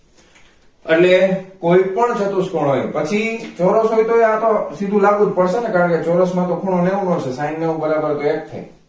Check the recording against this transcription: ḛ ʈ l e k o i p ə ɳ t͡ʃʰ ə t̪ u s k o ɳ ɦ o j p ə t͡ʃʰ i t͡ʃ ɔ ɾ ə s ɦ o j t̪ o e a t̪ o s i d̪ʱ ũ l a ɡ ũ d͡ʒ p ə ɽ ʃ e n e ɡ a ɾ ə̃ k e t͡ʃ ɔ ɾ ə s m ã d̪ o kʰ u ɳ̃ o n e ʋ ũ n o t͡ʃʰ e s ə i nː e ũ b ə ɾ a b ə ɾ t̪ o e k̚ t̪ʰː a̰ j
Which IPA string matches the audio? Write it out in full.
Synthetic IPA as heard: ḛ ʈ l e k o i p ə ɳ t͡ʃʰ ə t̪ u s k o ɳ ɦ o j p ə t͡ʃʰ i t͡ʃ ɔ ɾ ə s ɦ o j t̪ o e a t̪ o s i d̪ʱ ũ l a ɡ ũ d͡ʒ p ə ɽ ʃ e n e k a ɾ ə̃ k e t͡ʃ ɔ ɾ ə s m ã t̪ o kʰ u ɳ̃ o n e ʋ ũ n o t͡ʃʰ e s a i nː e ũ b ə ɾ a b ə ɾ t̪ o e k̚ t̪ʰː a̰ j